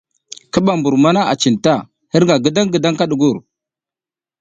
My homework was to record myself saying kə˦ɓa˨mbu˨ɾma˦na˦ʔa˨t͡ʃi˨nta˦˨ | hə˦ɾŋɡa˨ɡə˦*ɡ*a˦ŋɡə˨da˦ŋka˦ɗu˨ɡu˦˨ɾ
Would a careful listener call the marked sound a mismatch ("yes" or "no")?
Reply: yes